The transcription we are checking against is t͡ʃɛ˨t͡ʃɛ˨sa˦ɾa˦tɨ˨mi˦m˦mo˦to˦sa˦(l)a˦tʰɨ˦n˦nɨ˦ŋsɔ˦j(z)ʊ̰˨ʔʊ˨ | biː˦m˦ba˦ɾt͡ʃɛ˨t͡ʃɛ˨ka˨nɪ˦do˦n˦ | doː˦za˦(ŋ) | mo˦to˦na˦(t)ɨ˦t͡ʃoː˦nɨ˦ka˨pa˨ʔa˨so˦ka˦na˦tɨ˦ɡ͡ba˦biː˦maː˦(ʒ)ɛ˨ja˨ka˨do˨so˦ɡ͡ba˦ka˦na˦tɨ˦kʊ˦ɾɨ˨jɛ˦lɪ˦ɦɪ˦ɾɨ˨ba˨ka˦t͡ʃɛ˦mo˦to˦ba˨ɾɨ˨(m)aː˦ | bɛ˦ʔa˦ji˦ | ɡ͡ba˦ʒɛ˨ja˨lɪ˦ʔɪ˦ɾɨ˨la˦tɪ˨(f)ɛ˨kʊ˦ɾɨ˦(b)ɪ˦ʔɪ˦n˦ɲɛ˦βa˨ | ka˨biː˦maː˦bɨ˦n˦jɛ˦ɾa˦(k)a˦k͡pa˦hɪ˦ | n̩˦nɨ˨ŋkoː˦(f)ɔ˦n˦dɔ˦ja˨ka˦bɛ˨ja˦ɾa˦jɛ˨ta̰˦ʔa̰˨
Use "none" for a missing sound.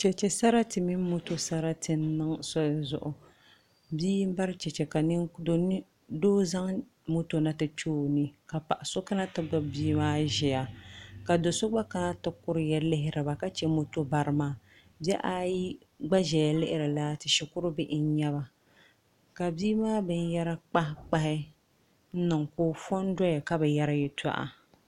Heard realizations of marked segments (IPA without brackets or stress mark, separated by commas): ɾ, z, ŋ, t, ʒ, m, ʃ, b, k͡p, f